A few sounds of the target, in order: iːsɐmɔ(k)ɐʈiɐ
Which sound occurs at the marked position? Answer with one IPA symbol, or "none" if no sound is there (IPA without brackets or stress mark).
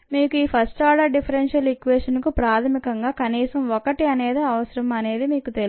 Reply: k